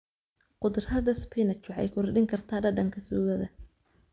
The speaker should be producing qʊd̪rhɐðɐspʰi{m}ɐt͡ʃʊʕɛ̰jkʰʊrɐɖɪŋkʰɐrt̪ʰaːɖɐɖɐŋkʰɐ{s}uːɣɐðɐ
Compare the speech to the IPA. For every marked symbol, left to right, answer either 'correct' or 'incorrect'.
incorrect: n, correct

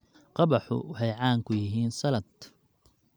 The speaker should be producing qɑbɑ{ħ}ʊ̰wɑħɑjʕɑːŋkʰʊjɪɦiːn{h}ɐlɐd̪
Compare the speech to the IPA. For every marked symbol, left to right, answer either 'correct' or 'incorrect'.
correct, incorrect: s

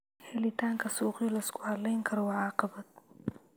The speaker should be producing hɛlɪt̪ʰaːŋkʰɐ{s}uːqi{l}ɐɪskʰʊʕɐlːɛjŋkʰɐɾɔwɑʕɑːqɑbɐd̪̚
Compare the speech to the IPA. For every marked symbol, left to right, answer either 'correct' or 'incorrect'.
correct, correct

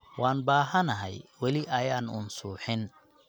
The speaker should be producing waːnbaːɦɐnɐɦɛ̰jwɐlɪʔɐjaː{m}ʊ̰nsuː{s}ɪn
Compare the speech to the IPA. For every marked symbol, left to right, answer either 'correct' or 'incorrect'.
incorrect: n, incorrect: ħ

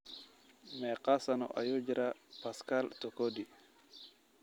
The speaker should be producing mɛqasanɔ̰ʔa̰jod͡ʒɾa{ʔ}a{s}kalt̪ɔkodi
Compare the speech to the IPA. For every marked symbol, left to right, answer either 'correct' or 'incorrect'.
incorrect: p, correct

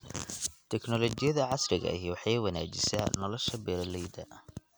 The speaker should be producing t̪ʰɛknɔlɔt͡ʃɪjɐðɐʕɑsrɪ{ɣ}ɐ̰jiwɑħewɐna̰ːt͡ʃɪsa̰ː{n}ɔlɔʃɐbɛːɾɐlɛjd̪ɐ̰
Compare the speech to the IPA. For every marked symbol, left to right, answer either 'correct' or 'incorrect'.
correct, correct

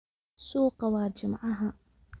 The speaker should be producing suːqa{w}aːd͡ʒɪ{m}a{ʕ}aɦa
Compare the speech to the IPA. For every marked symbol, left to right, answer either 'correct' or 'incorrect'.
correct, correct, correct

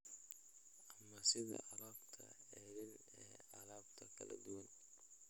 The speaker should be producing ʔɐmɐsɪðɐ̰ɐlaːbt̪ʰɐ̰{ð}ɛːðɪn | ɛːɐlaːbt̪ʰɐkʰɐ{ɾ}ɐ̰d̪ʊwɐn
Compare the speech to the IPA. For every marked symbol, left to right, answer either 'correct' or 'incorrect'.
incorrect: none, incorrect: l

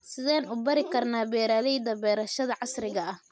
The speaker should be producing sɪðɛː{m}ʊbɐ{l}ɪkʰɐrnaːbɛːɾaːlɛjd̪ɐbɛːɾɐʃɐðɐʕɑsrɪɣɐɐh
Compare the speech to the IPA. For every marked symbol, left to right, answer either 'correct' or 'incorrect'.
incorrect: n, incorrect: ɾ

